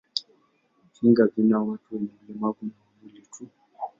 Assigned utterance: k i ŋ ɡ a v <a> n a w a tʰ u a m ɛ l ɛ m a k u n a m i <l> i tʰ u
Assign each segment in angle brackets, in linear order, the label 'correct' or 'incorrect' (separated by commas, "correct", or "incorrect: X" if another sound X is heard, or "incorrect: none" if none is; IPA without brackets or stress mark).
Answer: incorrect: i, correct